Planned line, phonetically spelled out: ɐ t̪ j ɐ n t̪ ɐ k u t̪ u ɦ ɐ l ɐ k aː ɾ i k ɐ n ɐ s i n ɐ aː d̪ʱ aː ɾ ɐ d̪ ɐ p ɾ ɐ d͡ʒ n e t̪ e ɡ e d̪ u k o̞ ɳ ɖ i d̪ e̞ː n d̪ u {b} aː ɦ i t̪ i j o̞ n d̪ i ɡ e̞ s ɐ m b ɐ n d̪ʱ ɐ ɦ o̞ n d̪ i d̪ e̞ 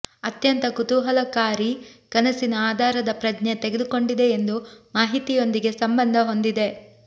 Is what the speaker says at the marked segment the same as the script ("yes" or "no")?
no